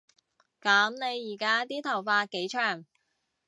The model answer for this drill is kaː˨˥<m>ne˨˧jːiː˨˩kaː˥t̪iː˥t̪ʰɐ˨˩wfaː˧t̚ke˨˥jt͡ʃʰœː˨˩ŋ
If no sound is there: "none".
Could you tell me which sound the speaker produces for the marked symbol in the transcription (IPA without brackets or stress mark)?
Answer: m